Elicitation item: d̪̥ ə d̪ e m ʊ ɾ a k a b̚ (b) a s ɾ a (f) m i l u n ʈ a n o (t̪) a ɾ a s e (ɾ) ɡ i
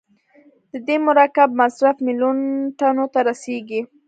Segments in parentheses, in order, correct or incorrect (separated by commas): incorrect, correct, correct, incorrect